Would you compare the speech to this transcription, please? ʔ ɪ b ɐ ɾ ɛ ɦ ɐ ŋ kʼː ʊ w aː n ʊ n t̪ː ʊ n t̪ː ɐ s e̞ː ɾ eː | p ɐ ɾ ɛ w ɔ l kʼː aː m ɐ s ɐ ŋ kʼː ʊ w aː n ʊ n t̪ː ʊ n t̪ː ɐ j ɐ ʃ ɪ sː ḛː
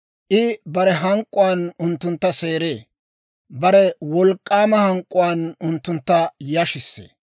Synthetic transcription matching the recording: ʔ ɪ b ɐ ɾ ɛ ɦ ɐ ŋ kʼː ʊ w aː n ʊ n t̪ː ʊ n t̪ː ɐ s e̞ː ɾ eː | b ɐ ɾ ɛ w ɔ l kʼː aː m ɐ h ɐ ŋ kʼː ʊ w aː n ʊ n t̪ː ʊ n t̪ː ɐ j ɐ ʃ ɪ sː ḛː